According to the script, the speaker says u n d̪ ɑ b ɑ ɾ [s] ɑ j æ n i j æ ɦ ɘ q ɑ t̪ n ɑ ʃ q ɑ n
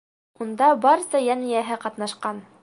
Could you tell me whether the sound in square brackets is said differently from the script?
no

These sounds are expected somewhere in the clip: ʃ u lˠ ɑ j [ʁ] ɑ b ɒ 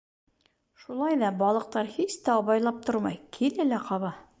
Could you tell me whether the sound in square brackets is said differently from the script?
yes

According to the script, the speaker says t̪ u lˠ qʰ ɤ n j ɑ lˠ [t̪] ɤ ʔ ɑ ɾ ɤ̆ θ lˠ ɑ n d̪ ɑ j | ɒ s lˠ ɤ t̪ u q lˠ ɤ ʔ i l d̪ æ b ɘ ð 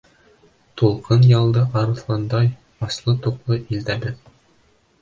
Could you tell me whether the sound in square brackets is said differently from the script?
yes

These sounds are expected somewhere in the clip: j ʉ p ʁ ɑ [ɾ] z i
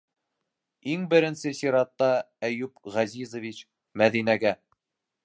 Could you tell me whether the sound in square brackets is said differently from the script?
yes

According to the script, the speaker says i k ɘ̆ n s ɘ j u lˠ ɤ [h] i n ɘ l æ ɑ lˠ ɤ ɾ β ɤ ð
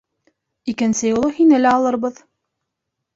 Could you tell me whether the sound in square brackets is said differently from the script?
no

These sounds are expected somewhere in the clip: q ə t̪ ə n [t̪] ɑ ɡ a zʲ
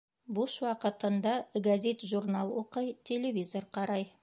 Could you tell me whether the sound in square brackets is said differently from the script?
yes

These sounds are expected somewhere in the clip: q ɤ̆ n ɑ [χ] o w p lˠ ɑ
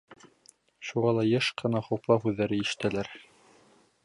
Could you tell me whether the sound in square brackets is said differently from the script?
no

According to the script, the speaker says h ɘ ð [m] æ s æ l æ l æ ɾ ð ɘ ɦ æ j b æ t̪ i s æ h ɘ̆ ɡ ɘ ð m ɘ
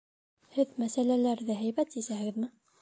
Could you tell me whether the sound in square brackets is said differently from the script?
no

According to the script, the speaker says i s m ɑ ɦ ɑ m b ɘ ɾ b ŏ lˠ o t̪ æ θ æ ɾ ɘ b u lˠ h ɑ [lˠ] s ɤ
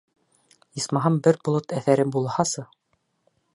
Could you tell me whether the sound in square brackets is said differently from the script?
yes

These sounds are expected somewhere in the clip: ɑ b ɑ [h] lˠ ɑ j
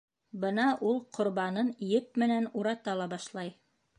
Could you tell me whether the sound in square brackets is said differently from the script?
yes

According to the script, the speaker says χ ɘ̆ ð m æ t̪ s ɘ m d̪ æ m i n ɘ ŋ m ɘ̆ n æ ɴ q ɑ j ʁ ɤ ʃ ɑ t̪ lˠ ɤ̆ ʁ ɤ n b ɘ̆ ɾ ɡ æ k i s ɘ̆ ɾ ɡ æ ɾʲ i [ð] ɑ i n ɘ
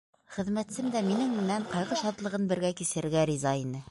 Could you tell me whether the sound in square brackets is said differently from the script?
yes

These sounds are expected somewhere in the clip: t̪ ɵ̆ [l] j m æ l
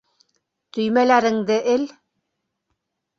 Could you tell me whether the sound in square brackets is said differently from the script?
yes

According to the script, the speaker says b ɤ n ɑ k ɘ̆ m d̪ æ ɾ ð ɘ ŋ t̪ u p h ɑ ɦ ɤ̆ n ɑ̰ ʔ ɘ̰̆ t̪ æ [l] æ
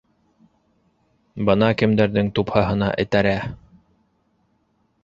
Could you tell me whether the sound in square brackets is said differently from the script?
yes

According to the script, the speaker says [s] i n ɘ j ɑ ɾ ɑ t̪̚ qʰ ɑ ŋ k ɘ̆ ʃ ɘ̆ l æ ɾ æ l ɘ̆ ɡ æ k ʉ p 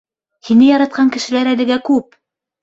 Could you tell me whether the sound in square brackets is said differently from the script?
yes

